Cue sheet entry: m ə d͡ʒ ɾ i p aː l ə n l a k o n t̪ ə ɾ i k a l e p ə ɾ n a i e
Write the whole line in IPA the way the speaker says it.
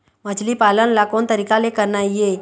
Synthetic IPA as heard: m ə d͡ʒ l i p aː l ə n l a k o n t̪ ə ɾ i k a l e k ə ɾ n a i e

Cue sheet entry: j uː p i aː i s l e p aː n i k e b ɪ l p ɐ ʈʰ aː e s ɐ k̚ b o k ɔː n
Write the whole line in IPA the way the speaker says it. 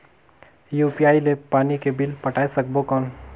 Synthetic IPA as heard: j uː p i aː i l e p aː n i k e b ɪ l p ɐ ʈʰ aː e s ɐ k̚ b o k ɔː n

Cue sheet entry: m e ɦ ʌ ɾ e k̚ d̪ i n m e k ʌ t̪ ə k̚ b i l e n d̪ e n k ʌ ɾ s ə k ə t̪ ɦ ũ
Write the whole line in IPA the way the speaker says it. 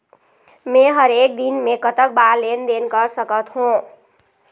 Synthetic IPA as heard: m e ɦ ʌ ɾ e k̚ d̪ i n m e k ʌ t̪ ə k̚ b a l e n d̪ e n k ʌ ɾ s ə k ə t̪ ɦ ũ

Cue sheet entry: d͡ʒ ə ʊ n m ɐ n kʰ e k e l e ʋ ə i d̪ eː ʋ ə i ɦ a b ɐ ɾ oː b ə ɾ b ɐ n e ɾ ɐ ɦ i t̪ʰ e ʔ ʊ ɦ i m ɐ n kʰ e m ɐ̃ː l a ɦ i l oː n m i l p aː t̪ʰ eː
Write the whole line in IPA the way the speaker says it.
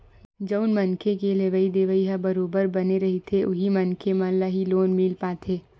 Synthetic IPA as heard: d͡ʒ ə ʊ n m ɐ n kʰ e k e l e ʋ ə i d̪ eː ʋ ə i ɦ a b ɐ ɾ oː b ə ɾ b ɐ n e ɾ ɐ ɦ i t̪ʰ e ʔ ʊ ɦ i m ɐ n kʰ e m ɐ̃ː l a ɦ i l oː n m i l p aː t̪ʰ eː

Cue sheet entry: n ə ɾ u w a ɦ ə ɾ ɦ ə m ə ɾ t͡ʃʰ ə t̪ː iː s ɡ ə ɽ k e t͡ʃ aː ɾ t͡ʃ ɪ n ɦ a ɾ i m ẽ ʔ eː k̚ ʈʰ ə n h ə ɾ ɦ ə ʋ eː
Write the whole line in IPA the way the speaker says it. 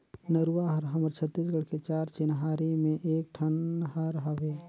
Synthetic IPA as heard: n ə ɾ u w a ɦ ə ɾ ɦ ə m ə ɾ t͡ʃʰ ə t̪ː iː s ɡ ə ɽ k e t͡ʃ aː ɾ t͡ʃ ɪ n ɦ a ɾ i m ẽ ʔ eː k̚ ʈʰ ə n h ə ɾ ɦ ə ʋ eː

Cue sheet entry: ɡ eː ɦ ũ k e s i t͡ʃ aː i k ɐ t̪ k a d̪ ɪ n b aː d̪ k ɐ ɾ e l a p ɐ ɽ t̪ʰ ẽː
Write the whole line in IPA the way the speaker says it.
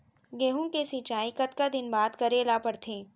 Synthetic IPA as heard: ɡ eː ɦ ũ k e s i t͡ʃ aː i k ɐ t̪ k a d̪ ɪ n b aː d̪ k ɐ ɾ e l a p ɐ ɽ t̪ʰ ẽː

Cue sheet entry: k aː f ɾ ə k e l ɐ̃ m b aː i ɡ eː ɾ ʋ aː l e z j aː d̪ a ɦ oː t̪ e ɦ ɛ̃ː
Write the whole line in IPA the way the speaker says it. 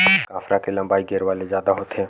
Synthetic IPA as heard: k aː f ɾ a k e l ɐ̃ m b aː i ɡ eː ɾ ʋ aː l e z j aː d̪ a ɦ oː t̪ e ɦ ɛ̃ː

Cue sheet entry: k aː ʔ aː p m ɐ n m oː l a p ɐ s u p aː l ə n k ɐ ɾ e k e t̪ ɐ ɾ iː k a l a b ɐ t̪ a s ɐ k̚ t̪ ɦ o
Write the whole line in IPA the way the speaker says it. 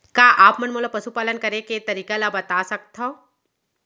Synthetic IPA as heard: k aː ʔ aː p m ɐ n m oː l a p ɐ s u p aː l ə n k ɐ ɾ e k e t̪ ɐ ɾ iː k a l a b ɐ t̪ a s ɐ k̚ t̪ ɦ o

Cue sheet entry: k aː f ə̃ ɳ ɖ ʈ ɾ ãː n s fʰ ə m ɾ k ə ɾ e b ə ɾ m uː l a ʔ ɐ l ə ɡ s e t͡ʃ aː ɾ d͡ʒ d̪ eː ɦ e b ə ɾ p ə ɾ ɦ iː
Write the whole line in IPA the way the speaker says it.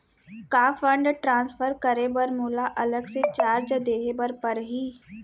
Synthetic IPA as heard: k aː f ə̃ ɳ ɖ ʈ ɾ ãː n s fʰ ə ɾ k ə ɾ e b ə ɾ m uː l a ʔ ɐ l ə ɡ s e t͡ʃ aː ɾ d͡ʒ d̪ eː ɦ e b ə ɾ p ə ɾ ɦ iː

